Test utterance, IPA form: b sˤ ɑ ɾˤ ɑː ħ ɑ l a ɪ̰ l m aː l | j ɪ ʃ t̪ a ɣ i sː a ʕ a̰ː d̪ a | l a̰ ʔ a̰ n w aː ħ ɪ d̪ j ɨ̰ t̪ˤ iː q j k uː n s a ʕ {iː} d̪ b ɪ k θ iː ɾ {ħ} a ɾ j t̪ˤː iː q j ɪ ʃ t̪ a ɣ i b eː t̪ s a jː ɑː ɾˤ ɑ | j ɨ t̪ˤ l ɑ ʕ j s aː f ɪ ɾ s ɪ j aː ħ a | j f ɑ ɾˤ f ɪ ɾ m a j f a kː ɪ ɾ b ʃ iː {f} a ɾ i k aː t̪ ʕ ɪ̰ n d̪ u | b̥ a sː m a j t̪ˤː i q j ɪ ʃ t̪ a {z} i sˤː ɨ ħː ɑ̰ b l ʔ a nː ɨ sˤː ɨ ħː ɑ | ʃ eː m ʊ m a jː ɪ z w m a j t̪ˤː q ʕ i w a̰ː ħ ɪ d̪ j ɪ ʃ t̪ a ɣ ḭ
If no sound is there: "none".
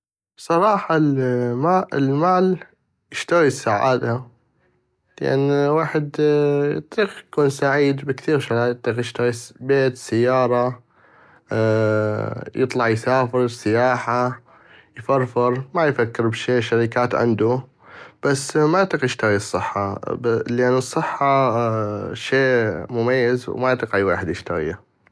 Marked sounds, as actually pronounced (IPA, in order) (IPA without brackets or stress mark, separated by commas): iː, ʃ, ʃ, ɣ